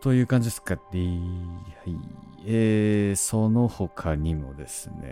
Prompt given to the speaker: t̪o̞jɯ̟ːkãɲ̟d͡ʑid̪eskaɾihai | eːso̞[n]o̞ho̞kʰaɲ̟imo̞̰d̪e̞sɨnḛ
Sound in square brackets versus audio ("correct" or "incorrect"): correct